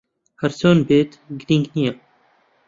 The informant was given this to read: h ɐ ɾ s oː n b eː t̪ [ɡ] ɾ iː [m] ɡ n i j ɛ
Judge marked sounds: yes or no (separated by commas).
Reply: yes, no